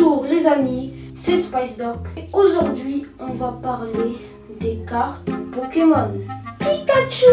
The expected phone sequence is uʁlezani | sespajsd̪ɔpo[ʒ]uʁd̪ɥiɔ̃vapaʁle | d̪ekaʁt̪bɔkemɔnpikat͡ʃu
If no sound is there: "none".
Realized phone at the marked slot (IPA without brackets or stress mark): ʒ